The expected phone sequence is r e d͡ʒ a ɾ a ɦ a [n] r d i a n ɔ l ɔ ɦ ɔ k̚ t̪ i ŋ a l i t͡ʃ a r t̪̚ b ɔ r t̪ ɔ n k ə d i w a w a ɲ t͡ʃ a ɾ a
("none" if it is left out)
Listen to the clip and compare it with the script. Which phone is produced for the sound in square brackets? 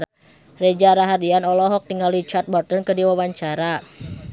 none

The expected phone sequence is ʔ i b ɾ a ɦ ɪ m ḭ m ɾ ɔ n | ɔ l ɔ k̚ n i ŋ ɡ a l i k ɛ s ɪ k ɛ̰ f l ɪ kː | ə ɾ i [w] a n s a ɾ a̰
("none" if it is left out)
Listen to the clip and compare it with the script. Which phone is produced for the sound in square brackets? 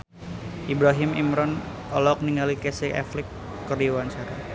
w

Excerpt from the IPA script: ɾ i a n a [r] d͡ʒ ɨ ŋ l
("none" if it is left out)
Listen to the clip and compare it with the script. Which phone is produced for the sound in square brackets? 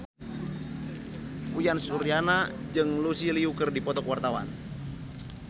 none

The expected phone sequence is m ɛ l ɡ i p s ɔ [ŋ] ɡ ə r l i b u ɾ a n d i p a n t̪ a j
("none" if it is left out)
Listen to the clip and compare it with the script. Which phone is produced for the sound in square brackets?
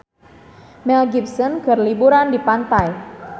n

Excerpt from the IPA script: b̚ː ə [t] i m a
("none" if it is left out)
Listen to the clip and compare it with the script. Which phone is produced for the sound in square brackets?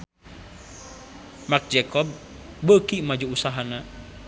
k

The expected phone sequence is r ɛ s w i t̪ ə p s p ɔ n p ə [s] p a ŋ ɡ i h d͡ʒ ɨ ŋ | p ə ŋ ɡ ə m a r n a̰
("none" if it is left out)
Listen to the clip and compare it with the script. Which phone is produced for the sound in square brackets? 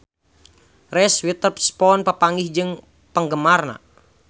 none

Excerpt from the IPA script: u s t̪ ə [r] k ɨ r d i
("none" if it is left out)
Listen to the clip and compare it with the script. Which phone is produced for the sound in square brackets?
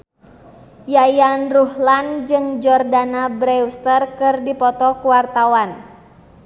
r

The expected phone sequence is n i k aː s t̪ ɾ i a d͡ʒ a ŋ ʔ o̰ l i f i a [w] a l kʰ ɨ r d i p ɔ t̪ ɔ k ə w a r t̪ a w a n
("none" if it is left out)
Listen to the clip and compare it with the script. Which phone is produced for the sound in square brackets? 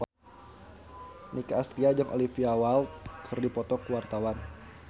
w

